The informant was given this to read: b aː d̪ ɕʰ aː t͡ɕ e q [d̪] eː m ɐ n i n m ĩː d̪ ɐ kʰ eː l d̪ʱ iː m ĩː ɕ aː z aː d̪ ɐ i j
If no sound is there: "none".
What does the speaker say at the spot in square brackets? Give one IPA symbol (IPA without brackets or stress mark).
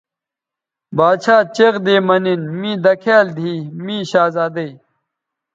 d̪